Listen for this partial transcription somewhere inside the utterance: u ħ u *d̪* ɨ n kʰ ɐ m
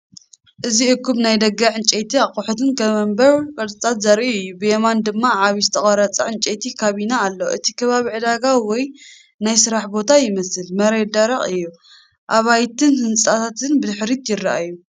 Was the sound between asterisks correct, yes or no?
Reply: no